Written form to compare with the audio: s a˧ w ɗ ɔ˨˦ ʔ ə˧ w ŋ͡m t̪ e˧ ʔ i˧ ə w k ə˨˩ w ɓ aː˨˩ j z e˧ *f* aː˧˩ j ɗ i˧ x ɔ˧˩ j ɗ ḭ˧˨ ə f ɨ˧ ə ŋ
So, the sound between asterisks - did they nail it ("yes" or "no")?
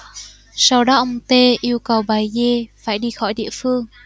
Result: yes